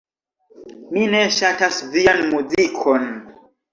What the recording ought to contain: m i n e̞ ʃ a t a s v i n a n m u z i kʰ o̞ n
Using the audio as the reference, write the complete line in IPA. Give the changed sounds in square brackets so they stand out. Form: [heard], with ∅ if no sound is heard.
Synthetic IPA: m i n e̞ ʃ a t a s v i [∅] a n m u z i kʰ o̞ n